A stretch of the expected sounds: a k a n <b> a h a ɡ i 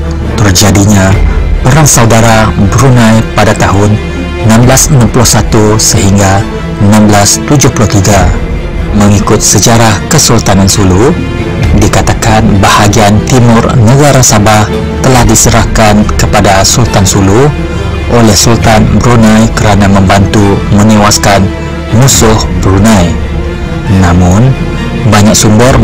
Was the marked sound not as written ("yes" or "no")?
no